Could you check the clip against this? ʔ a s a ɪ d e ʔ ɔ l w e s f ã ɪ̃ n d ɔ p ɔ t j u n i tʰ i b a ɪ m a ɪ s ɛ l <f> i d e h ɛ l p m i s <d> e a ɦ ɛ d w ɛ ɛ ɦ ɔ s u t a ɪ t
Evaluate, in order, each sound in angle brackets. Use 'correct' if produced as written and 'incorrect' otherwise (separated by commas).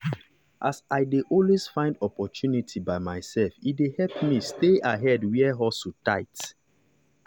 correct, incorrect